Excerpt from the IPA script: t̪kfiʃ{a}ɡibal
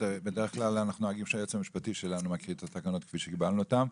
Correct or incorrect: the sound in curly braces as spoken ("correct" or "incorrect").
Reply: incorrect